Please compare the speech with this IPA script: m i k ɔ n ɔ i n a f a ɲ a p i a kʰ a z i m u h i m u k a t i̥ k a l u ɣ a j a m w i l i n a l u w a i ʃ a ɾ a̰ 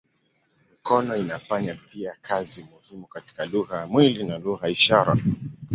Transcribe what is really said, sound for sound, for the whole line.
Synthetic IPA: m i k ɔ n ɔ i n a f a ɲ a p i a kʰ a z i m u h i m u k a t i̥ k a l u ɣ a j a m w i l i n a l u ɣ a i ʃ a ɾ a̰